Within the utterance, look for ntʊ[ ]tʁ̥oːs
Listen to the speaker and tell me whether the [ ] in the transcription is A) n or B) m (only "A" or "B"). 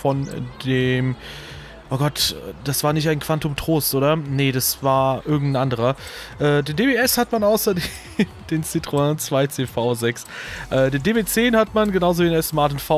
B